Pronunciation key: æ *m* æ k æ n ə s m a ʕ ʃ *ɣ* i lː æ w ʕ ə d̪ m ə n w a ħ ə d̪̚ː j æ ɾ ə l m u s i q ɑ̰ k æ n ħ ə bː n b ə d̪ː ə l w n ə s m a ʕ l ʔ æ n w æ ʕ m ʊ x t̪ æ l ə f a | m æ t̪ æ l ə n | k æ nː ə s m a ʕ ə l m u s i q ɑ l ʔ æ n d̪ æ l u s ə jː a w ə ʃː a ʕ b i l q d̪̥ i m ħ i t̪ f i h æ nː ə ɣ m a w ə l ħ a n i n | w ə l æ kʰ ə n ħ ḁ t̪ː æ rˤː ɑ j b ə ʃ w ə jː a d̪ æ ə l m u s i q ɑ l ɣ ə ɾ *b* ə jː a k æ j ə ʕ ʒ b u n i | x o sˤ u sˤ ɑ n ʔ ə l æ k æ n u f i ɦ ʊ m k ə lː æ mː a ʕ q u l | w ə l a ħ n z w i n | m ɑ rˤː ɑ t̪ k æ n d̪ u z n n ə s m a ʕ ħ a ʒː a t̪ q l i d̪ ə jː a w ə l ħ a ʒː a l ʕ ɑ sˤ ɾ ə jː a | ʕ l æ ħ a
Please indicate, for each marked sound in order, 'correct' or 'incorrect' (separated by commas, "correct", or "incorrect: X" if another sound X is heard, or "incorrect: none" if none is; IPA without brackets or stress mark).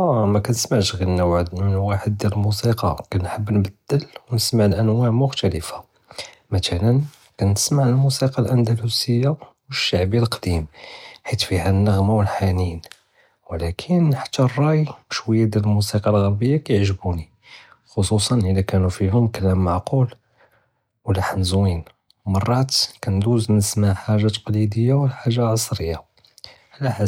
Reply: correct, correct, correct